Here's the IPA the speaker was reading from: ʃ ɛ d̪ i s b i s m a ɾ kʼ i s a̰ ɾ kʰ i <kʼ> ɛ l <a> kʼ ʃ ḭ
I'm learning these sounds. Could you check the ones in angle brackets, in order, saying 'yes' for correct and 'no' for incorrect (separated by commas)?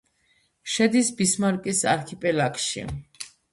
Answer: no, yes